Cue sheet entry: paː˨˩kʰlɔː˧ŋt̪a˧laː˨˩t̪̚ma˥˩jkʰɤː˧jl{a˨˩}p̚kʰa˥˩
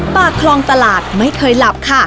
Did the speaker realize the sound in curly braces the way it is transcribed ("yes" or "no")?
yes